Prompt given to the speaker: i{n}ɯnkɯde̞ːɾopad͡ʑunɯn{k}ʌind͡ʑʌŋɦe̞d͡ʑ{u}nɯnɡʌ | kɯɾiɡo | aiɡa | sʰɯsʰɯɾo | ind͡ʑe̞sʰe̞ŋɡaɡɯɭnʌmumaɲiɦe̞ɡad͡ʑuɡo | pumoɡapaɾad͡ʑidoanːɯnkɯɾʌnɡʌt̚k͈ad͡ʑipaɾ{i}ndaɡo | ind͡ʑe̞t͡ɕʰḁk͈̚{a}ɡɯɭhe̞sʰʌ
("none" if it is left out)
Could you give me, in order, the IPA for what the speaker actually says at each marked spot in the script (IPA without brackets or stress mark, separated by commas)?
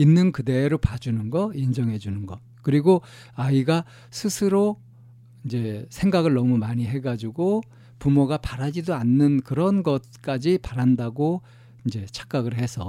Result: nː, ɡ, u, a, a